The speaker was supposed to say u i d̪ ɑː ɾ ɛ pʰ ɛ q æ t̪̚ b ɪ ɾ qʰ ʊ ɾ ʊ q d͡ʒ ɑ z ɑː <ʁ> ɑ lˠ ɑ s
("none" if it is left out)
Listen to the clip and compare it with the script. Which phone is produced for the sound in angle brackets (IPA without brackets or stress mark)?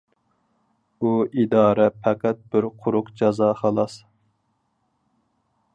χ